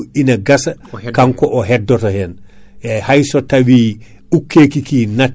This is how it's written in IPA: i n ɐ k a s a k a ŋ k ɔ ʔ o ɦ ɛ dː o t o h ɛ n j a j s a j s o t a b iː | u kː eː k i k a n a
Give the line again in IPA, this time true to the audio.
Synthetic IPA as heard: i n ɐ ɡ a s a k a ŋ k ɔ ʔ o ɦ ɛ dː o t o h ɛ n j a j h a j s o t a w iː | u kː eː k i k i n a

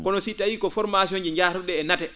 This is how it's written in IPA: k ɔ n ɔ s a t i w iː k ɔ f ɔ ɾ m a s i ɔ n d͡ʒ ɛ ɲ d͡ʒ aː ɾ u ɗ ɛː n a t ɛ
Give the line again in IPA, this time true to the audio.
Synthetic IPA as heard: k ɔ n ɔ s i t a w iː k ɔ f ɔ ɾ m a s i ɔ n d͡ʒ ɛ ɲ d͡ʒ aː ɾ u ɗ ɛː n a t ɛ

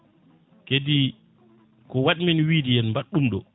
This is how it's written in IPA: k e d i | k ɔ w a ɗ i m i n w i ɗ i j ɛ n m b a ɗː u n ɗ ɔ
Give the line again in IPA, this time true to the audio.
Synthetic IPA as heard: k e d i | k ɔ w a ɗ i m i n w i d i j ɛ n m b a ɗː u m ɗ ɔ

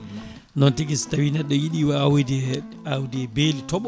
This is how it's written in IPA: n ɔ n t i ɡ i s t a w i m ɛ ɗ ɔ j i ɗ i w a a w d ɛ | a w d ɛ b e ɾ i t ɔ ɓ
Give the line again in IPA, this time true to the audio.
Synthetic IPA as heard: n ɔ n t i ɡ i s t a w i n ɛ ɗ ɔ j i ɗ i w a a w d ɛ | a w d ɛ b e l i t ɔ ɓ

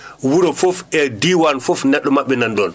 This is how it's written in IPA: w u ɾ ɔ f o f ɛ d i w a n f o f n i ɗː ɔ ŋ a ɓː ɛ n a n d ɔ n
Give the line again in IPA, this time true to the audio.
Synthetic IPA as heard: w u ɾ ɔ f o f ɛ d i w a n f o f n ɛ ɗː ɔ m a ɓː ɛ n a n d ɔ n

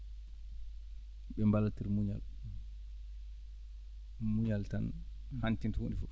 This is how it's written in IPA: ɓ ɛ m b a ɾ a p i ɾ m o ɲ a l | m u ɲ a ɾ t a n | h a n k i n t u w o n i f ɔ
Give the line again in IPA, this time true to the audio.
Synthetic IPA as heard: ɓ ɛ m b a l a t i ɾ m u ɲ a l | m u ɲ a l t a n | h a n t i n t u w o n i f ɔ

